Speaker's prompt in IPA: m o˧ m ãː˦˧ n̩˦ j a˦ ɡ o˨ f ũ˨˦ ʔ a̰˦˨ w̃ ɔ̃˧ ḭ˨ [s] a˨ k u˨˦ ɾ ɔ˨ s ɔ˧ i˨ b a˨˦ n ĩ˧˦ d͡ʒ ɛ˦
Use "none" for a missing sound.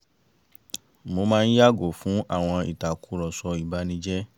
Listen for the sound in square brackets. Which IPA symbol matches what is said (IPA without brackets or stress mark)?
t